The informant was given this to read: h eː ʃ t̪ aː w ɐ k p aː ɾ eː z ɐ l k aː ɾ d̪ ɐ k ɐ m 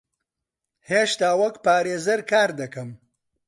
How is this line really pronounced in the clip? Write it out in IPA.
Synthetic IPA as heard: h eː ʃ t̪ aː w ɐ k p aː ɾ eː z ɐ ɾ k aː ɾ d̪ ɐ k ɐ m